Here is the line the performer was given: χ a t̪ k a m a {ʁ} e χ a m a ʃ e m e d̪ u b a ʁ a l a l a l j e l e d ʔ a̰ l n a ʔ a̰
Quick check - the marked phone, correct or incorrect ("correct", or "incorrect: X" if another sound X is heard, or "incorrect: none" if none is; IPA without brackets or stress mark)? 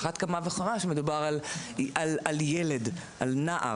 incorrect: v